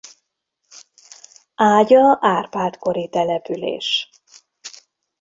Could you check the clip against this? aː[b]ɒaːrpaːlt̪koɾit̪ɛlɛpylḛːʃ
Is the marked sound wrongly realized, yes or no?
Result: yes